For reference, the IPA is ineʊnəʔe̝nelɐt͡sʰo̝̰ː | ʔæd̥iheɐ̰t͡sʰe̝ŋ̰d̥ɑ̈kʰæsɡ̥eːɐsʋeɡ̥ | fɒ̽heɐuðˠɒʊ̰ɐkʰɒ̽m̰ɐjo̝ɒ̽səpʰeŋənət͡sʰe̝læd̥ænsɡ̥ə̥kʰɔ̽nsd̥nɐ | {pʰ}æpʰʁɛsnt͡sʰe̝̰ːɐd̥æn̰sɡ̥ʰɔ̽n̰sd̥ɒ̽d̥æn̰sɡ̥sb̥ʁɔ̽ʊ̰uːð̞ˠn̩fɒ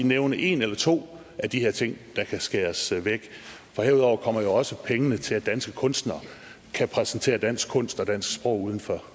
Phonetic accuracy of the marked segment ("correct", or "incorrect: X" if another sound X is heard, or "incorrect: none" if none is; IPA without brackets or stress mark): incorrect: kʰ